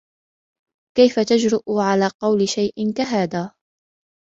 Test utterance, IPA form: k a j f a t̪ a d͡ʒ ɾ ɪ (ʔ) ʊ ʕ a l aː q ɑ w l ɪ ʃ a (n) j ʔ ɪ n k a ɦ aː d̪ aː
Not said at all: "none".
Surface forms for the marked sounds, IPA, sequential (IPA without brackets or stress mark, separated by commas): ʔ, none